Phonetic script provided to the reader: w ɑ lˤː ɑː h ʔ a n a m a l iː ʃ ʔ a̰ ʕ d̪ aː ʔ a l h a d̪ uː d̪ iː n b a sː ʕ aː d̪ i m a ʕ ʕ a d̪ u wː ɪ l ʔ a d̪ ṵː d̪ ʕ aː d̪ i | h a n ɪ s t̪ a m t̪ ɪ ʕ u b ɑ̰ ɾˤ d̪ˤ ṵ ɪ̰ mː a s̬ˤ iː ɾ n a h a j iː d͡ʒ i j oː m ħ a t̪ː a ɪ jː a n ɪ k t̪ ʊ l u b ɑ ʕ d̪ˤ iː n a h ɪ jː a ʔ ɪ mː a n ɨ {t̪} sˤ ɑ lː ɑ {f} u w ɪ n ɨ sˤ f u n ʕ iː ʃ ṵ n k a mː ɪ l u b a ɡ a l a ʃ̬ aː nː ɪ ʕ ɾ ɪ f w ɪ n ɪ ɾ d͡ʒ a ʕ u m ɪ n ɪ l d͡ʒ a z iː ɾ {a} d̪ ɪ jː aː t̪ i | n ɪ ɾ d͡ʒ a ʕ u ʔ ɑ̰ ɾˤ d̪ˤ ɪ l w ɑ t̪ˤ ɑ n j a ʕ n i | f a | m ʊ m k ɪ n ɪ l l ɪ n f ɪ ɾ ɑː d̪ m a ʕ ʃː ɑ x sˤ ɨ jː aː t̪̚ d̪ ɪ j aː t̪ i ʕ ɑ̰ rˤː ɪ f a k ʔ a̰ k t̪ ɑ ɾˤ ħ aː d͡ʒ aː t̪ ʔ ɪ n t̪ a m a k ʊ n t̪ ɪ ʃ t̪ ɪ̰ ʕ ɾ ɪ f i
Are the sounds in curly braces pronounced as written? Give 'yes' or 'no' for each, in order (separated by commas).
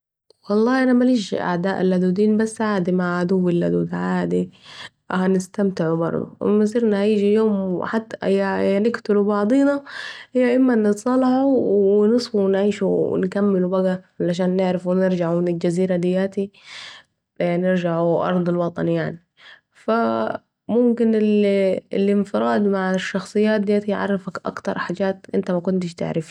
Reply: yes, no, yes